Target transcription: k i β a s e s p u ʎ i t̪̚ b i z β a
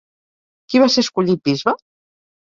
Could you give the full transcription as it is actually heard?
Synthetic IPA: k i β a s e s k u ʎ i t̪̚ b i z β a